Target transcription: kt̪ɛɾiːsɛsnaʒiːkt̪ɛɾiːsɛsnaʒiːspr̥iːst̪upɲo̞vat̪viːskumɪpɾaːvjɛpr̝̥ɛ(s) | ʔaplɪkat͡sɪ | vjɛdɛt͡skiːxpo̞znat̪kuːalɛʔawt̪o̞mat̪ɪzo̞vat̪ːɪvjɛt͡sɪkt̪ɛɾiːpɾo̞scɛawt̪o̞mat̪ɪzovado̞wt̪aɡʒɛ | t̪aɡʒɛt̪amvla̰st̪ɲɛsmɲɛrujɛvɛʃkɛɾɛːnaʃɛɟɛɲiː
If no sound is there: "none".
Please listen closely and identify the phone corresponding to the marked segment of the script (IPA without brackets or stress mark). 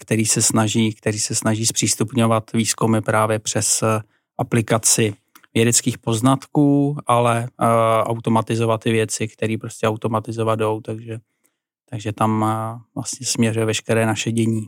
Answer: s